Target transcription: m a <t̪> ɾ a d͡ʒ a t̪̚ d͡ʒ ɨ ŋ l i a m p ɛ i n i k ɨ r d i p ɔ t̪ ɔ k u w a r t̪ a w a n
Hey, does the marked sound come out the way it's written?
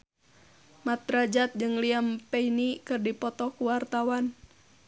yes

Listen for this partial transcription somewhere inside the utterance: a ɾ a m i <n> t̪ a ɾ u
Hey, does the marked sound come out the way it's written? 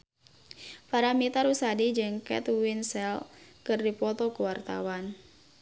no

